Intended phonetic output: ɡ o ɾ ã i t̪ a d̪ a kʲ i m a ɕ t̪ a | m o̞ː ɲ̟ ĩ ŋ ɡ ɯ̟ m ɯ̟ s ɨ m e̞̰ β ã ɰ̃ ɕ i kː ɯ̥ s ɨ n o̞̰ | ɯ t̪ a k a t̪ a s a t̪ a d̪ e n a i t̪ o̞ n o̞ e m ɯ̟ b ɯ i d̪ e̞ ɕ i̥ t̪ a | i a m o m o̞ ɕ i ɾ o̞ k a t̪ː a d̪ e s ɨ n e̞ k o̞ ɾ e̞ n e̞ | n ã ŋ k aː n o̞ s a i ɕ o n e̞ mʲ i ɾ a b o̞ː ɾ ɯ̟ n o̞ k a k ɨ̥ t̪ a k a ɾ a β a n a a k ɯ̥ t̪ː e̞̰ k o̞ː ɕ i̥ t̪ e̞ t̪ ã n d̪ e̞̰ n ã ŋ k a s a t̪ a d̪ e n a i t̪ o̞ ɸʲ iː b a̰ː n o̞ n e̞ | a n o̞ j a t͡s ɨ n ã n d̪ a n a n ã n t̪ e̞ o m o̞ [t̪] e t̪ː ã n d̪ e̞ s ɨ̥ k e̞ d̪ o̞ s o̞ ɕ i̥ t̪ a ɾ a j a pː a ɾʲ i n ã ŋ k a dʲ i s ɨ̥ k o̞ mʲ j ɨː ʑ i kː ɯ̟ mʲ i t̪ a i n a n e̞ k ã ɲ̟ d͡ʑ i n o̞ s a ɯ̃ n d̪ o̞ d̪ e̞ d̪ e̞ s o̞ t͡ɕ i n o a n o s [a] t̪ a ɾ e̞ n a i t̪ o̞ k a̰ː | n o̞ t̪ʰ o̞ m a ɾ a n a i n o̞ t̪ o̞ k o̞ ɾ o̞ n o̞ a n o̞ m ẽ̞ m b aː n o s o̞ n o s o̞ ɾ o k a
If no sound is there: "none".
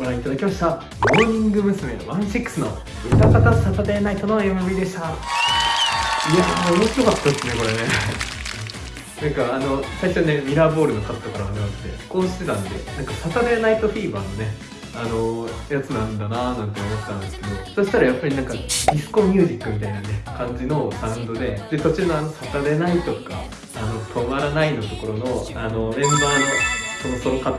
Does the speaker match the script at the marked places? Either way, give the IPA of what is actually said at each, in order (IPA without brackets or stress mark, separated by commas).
t̪, a